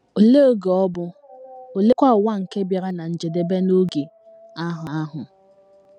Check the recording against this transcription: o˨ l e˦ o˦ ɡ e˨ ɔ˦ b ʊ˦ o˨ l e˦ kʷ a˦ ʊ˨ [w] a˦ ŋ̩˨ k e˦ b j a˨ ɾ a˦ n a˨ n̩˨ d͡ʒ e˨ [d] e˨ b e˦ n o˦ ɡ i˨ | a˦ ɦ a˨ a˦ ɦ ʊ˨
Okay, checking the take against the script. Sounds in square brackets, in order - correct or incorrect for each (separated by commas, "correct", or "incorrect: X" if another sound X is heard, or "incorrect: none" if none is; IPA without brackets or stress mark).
correct, correct